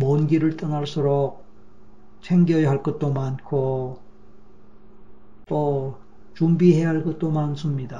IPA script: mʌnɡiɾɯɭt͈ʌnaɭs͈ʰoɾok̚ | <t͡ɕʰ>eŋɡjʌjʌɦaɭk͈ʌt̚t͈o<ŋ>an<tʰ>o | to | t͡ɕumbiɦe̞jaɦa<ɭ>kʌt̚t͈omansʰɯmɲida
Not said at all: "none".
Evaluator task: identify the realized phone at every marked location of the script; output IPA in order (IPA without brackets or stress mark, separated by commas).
t͡ɕʰ, m, kʰ, ɭ